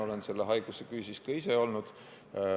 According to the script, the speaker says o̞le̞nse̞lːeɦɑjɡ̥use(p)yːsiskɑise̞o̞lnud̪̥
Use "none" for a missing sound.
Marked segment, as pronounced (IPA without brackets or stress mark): k